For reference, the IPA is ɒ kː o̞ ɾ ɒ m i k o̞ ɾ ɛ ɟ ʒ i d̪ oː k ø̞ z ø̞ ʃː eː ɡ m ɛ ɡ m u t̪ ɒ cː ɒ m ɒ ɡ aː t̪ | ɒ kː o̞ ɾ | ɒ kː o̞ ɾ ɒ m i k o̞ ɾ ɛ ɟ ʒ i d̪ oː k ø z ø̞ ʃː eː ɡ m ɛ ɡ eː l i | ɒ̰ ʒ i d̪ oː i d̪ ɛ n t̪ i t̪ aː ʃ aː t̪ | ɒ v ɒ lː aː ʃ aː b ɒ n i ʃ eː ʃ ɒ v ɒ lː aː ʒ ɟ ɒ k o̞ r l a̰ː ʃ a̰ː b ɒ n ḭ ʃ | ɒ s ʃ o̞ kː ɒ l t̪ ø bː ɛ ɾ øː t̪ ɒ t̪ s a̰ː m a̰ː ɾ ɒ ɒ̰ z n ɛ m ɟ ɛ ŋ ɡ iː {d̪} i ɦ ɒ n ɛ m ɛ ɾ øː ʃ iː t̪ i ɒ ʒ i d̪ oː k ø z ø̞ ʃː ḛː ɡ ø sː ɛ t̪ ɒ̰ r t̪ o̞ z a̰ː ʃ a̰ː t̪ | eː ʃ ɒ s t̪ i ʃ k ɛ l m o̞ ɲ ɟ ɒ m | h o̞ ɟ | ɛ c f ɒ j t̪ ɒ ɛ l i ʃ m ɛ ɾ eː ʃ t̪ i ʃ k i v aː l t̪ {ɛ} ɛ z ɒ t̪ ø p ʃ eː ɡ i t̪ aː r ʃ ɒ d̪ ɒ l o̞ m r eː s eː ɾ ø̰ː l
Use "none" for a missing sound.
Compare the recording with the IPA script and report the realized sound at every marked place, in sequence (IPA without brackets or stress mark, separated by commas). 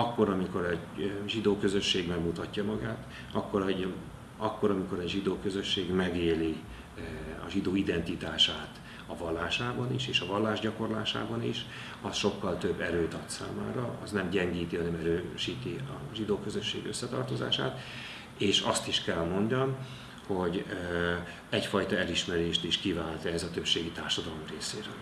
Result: t̪, ɛ